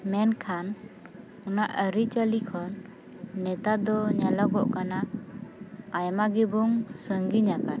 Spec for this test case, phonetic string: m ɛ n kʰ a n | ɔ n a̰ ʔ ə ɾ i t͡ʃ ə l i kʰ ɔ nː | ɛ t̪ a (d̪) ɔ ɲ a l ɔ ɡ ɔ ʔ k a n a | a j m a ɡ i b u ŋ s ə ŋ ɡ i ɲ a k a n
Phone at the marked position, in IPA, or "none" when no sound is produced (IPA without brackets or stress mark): d̪